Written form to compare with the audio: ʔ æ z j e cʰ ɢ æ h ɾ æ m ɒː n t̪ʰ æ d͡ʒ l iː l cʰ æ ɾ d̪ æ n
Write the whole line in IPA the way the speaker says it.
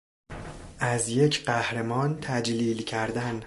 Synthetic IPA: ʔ æ z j e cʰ ɢ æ h ɾ e m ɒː n t̪ʰ æ d͡ʒ l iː l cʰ æ ɾ d̪ æ n